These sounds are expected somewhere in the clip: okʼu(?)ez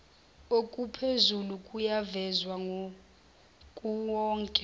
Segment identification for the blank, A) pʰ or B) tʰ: A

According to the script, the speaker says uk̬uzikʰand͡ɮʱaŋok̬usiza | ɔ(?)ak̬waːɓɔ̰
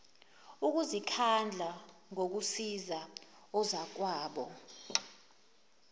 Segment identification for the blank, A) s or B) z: B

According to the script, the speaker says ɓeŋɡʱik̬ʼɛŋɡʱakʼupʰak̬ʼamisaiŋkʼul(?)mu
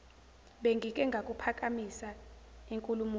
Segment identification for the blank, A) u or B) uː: A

